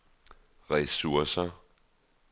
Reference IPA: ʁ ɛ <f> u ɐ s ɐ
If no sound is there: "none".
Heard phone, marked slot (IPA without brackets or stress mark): s